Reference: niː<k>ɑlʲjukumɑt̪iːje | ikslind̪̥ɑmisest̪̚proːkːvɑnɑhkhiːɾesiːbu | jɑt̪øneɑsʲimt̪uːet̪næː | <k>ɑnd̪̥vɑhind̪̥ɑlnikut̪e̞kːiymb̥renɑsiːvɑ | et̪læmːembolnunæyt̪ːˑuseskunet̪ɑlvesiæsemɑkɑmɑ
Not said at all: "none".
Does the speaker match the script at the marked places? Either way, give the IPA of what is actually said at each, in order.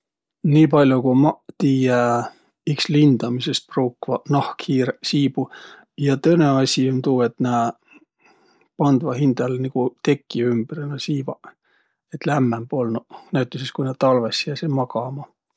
p, p

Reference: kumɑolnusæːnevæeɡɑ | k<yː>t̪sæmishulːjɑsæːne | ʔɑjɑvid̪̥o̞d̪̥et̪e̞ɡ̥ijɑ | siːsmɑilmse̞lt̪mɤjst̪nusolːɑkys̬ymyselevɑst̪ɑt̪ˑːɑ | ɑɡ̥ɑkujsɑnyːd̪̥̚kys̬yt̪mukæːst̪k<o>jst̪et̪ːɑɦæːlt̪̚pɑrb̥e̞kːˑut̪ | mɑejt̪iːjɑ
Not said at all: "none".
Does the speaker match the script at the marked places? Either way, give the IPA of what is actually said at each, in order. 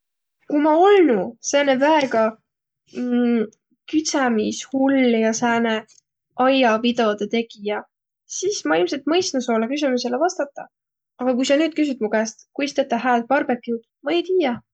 y, u

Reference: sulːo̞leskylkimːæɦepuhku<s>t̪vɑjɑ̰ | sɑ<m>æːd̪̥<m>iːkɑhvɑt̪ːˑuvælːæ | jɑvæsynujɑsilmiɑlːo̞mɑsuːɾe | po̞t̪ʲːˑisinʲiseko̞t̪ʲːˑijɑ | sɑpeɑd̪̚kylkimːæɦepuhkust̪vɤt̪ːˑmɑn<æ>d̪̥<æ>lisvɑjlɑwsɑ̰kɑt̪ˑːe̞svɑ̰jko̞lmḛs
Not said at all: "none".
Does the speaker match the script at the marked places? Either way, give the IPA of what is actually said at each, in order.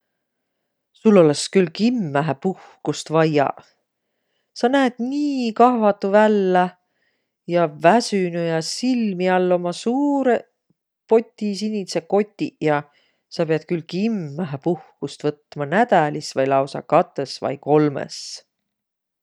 s, n, n, æ, æ

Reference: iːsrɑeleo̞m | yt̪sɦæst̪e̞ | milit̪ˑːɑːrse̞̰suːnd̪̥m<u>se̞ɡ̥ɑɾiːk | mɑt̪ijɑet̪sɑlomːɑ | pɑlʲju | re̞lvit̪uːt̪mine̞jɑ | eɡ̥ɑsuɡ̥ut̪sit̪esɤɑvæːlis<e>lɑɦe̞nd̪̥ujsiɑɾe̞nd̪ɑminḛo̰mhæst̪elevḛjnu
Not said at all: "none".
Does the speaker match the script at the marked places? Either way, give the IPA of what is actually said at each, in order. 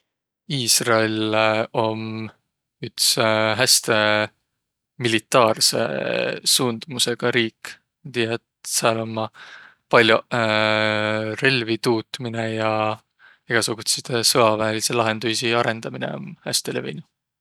u, e

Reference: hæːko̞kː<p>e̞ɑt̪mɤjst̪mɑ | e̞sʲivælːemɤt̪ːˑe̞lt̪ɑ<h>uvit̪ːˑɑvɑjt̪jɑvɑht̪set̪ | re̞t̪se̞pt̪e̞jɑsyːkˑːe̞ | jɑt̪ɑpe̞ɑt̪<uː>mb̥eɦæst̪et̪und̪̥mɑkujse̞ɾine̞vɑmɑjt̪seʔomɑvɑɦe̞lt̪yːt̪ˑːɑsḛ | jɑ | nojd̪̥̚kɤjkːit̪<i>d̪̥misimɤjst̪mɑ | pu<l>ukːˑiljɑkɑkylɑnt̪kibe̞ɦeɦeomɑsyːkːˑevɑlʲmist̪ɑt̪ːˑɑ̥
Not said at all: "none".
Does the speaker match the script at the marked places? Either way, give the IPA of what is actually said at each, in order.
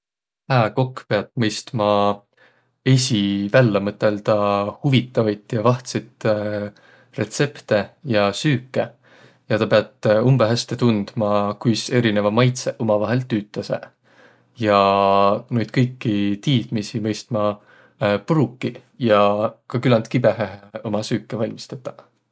p, h, u, iː, ɾ

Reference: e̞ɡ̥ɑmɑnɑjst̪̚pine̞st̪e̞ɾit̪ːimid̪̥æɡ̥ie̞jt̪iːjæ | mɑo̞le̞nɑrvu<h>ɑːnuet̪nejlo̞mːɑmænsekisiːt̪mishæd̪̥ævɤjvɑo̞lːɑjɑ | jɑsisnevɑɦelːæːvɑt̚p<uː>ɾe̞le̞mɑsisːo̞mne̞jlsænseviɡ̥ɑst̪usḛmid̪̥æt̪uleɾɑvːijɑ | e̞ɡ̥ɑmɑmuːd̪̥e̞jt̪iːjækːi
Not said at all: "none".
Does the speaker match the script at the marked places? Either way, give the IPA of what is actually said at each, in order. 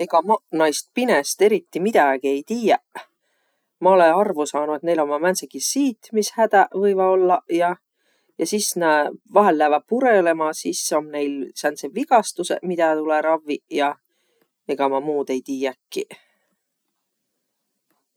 s, u

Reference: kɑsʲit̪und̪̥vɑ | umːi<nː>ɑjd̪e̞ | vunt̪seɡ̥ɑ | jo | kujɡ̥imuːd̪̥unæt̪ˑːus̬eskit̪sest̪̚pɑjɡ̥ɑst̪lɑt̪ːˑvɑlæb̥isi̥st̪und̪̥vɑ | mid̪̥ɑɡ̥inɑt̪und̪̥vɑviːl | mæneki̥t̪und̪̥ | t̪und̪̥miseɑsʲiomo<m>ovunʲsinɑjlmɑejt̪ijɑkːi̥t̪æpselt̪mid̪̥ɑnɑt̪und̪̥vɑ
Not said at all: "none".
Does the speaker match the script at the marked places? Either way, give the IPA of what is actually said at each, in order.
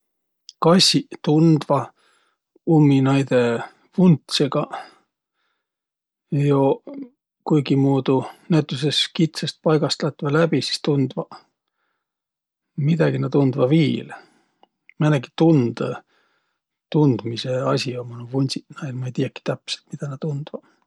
n, n

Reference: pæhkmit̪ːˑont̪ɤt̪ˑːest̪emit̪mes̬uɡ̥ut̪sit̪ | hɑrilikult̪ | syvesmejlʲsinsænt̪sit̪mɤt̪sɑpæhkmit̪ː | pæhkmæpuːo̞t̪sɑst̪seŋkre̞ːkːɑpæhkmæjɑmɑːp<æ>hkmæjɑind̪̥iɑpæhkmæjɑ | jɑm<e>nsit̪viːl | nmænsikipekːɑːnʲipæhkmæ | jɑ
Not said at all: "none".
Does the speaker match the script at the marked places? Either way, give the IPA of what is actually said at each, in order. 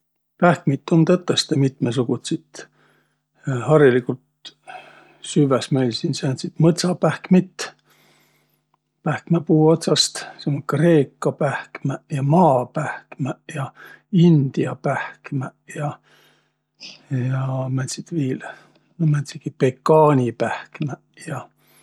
æ, æ

